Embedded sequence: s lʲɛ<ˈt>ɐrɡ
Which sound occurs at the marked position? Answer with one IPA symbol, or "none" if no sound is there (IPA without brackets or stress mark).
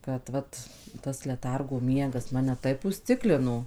t